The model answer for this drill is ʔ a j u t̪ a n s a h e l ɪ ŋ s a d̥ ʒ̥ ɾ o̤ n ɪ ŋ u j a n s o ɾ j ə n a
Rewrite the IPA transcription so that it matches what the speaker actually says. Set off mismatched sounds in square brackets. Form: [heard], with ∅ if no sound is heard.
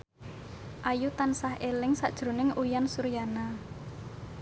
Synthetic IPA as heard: ʔ a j u t̪ a n s a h e l ɪ ŋ s a d̥ ʒ̥ ɾ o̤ n ɪ ŋ u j a n s [u] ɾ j [a] n a